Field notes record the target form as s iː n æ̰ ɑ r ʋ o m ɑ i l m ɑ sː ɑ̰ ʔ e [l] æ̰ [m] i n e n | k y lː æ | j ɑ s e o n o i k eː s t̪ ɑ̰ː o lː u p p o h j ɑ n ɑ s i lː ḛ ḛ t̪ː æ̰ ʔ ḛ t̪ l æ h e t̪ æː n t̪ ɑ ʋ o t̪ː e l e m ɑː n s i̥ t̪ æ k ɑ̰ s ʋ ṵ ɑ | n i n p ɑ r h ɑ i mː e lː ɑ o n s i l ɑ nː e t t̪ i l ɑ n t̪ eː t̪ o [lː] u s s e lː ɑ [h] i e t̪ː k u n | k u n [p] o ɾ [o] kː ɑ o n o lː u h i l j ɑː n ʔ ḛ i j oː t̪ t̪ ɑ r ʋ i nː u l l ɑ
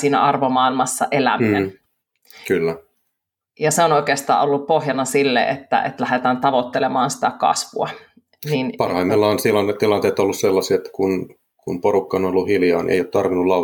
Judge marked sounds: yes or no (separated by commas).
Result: yes, yes, yes, no, yes, no